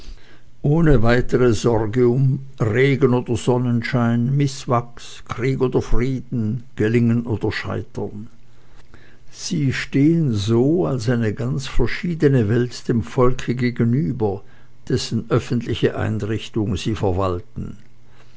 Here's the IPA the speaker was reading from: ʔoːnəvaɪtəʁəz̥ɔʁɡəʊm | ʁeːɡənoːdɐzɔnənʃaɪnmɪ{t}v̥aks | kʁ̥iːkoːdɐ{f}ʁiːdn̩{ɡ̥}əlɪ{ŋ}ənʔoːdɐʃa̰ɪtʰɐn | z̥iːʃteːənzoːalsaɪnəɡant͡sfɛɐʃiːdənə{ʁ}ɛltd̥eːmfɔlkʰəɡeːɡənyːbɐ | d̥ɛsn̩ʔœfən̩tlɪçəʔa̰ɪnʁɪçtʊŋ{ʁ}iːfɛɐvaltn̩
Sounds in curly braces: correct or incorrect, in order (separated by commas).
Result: incorrect, correct, correct, correct, incorrect, incorrect